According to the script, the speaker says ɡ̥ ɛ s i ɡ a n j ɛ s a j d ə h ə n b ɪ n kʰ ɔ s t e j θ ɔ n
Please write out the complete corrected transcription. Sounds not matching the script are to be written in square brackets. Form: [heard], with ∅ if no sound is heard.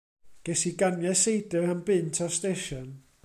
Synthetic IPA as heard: ɡ̥ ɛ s i ɡ a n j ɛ s [e] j d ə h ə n b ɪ n [tʰ] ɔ s t e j [ʃ] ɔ n

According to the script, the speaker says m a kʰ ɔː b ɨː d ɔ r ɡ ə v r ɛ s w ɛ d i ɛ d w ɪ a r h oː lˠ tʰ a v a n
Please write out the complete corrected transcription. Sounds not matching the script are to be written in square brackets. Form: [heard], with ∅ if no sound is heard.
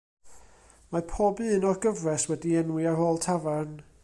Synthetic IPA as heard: m a [pʰ] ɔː b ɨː [n] ɔ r ɡ ə v r ɛ s w ɛ d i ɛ [n] w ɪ a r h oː lˠ tʰ a v a n

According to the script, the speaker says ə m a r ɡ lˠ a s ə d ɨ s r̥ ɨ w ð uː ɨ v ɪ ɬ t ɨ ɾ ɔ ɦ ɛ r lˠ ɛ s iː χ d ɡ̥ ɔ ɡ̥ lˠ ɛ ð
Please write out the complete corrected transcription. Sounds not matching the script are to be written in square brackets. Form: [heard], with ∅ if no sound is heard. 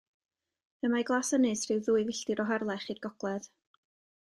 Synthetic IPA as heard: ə m a [∅] ɡ lˠ a s ə [n] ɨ s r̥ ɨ w ð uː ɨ v ɪ ɬ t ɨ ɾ ɔ ɦ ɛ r lˠ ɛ [χ] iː [∅] d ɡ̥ ɔ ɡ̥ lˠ ɛ ð

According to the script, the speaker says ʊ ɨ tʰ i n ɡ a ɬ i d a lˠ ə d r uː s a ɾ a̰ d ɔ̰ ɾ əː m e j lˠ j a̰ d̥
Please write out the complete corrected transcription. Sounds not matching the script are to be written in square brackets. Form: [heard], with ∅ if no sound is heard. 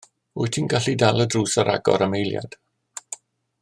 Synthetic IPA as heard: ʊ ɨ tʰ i n ɡ a ɬ i d a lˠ ə d r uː s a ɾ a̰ [ɡ] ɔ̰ ɾ [ə] m e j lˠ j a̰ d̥

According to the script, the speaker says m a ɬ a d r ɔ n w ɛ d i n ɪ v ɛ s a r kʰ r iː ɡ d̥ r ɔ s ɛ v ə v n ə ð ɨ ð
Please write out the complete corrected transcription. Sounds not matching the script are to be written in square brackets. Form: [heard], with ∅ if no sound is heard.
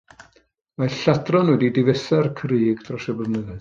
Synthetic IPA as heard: m a ɬ a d r ɔ n w ɛ d i [d] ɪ v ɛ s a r kʰ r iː ɡ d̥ r ɔ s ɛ [b] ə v n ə ð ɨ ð

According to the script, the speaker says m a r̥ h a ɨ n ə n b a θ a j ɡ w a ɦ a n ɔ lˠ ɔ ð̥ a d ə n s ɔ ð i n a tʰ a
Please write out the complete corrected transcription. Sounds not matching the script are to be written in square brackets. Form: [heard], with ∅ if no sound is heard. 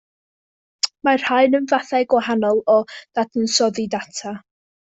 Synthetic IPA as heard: m a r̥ h a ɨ n ə n [v] a θ a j ɡ w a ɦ a n ɔ lˠ ɔ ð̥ a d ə n s ɔ ð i [d] a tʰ a

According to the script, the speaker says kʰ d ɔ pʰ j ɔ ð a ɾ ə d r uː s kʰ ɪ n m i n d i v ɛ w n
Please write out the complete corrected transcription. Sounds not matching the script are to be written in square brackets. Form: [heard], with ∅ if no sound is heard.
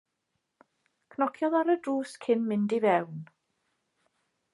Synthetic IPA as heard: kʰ [n] ɔ [kʰ] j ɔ ð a ɾ ə d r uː s kʰ ɪ n m [ɪ] n d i v ɛ w n

